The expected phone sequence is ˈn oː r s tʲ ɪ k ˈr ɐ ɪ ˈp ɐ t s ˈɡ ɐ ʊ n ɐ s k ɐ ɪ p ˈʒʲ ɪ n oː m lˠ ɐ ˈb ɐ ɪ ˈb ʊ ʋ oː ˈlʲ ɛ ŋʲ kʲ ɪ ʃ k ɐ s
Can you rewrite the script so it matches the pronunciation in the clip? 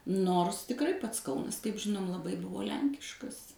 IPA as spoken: ˈn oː r s tʲ ɪ k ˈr ɐ ɪ ˈp ɐ t s ˈk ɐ ʊ n ɐ s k ɐ ɪ p ˈʒʲ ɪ n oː m lˠ ɐ ˈb ɐ ɪ ˈb ʊ ʋ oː ˈlʲ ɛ ŋʲ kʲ ɪ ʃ k ɐ s